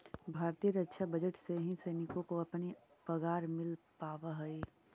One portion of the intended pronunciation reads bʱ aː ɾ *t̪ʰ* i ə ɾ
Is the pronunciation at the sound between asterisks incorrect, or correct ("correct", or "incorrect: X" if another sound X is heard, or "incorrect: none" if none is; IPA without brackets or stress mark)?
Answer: incorrect: t̪